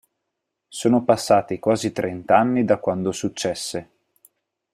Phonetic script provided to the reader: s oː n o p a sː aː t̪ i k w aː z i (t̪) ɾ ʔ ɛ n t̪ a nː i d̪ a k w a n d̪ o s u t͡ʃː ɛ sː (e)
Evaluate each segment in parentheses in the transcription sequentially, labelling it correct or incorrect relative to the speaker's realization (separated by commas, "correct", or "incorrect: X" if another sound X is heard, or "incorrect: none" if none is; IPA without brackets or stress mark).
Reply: correct, correct